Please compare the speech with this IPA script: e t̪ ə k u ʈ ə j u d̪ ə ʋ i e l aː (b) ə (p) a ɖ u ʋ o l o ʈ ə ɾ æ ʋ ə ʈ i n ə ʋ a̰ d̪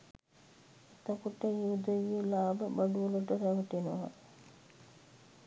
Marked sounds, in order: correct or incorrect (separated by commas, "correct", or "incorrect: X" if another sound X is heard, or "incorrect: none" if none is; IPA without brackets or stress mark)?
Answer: correct, incorrect: b